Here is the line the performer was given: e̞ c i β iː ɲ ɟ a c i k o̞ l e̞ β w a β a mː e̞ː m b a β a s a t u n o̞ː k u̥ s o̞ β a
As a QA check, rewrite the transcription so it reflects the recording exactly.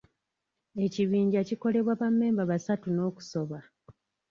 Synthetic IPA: e̞ c i β iː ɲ ɟ a c i k o̞ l e̞ β w a β a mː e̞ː m b a β a s a t u n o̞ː k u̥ s o̞ β a